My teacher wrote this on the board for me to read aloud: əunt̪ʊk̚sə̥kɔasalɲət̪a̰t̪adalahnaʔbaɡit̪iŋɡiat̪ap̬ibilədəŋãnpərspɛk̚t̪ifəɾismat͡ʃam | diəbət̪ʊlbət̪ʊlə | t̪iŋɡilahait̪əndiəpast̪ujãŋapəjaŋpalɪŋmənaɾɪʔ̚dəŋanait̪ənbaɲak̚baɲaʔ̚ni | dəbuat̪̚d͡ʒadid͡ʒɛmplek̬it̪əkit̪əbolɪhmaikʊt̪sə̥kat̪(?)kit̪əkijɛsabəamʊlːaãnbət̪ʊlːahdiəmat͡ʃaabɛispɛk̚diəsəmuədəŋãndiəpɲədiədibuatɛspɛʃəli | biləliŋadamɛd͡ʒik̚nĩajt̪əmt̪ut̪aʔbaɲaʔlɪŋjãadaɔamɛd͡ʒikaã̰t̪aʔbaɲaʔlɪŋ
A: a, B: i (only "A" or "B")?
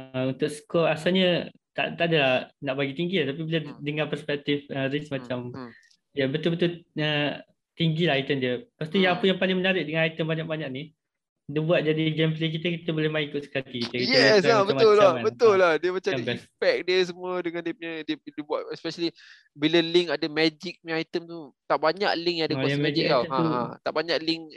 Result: B